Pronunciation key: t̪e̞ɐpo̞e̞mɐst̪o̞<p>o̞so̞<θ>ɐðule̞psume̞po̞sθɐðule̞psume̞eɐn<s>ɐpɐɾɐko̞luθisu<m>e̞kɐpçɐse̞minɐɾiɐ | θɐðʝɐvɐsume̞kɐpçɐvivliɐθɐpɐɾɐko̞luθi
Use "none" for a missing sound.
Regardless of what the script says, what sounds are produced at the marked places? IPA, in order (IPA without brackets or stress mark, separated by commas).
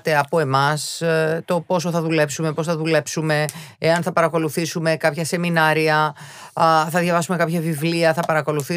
p, θ, θ, m